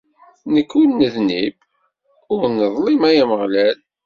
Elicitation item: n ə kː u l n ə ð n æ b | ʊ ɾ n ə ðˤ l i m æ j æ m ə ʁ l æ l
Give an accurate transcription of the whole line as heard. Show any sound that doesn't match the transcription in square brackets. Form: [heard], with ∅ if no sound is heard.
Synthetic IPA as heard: n ə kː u l n ə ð n [i] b | ʊ ɾ n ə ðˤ l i m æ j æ m ə ʁ l æ l